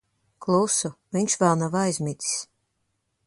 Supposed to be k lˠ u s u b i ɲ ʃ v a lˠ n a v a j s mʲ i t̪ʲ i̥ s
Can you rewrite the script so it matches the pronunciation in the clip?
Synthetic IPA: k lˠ u s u v i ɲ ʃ v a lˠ n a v a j z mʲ i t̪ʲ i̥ s